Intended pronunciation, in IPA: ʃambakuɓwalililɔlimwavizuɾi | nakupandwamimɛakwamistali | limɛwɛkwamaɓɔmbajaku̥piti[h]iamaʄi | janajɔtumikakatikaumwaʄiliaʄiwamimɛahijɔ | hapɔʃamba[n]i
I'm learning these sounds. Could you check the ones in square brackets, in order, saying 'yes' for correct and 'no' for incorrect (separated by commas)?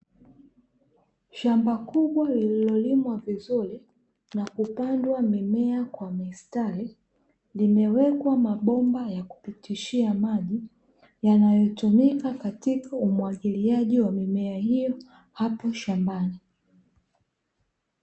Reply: no, yes